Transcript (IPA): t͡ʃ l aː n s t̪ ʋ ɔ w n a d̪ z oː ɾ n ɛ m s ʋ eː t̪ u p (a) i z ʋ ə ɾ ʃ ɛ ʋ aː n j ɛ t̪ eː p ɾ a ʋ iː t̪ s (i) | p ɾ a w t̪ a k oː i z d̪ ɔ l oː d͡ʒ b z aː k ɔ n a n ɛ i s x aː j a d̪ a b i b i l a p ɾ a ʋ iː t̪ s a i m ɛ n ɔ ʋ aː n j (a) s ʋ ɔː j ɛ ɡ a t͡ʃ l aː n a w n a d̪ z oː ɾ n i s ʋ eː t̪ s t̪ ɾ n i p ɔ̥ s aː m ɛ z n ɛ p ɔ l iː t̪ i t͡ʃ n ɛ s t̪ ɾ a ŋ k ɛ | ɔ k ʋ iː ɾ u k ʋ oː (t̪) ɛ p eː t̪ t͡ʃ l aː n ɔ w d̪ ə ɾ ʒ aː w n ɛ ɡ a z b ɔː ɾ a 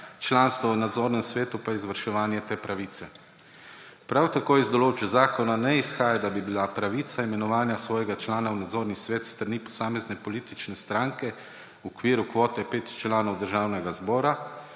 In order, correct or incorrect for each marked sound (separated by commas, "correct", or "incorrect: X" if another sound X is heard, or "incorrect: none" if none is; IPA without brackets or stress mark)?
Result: correct, incorrect: ɛ, correct, correct